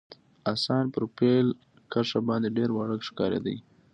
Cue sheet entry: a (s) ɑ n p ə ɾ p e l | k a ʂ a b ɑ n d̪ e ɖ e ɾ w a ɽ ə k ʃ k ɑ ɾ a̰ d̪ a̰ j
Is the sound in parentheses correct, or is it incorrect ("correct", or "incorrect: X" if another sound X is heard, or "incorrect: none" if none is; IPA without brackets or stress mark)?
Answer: correct